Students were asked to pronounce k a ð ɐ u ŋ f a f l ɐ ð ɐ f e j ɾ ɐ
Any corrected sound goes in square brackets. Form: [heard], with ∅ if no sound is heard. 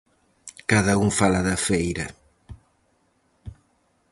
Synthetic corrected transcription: k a ð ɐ u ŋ f a [∅] l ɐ ð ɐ f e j ɾ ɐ